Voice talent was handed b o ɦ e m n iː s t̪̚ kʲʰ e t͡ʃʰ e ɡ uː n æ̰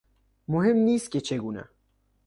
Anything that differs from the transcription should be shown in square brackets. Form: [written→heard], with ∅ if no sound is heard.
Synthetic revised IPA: [b→m] o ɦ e m n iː s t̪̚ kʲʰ e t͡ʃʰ e ɡ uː n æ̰